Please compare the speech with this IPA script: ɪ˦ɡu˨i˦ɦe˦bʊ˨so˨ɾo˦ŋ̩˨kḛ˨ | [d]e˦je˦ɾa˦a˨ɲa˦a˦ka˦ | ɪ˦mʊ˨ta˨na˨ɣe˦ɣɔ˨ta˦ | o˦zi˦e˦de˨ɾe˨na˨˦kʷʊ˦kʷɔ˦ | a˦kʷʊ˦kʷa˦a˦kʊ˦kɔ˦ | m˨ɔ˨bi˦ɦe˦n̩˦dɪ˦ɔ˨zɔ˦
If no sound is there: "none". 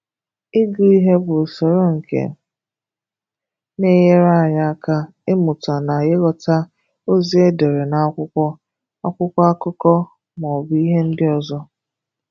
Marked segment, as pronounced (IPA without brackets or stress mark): n